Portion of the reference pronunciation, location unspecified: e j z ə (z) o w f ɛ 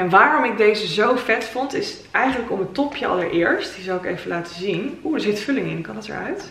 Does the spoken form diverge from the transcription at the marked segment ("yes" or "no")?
no